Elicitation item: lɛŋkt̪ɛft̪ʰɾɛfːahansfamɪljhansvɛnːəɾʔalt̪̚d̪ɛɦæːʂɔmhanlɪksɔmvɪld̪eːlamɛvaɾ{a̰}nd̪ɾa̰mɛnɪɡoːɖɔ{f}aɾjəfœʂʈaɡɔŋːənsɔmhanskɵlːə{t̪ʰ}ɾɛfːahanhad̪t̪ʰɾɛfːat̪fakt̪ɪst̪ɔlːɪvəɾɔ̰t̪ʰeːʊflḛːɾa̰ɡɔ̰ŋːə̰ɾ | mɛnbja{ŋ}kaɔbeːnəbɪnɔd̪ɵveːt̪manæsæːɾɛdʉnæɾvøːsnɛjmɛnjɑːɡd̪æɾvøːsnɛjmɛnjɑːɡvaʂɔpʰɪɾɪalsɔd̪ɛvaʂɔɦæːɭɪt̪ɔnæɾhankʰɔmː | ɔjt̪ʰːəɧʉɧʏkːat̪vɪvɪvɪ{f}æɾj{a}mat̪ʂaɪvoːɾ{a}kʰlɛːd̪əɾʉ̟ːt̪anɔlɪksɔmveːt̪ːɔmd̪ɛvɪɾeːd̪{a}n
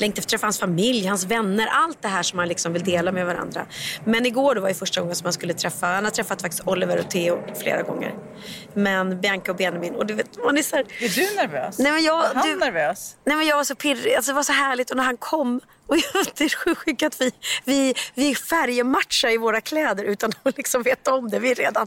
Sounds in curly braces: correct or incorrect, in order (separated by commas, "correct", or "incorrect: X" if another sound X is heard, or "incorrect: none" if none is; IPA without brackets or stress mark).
correct, incorrect: v, correct, correct, correct, incorrect: ə, correct, correct